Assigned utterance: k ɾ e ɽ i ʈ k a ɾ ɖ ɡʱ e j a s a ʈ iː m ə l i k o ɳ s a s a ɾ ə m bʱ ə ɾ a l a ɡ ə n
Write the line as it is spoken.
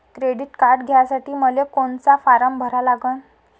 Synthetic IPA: k ɾ e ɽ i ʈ k a ɾ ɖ ɡʱ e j a s a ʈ iː m ə l e k o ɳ t͡s a f a ɾ ə m bʱ ə ɾ a l a ɡ ə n